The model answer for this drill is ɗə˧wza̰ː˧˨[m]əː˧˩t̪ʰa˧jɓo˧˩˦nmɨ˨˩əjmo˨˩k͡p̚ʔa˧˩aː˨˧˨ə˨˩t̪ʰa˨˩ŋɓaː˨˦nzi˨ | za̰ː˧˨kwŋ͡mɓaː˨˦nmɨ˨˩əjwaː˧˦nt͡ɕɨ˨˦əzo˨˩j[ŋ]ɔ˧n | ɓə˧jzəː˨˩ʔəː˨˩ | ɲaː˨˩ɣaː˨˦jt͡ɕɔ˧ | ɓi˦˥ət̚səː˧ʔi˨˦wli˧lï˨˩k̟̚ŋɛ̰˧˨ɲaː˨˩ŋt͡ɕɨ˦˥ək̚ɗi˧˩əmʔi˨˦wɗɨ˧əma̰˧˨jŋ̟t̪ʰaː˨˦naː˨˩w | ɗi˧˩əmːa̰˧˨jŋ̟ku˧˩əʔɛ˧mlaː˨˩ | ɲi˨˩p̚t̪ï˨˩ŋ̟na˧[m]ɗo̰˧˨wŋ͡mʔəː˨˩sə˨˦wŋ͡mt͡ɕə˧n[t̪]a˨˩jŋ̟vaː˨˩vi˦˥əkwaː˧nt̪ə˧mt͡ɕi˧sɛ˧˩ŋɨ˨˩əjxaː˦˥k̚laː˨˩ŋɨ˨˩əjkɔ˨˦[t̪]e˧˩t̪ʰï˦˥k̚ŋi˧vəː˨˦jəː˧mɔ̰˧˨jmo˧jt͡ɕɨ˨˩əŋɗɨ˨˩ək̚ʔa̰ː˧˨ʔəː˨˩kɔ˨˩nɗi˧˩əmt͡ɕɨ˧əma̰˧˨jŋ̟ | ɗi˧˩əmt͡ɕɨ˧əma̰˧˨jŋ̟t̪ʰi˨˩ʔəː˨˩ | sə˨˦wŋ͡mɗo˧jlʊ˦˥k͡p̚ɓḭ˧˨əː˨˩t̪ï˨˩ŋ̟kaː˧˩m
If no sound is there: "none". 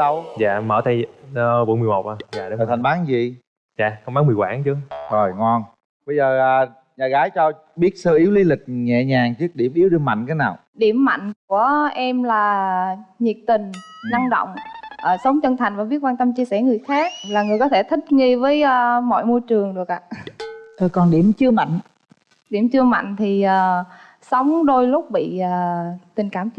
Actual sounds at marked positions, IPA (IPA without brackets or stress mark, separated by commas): m, ŋ, ŋ, t̪ʰ, t̪ʰ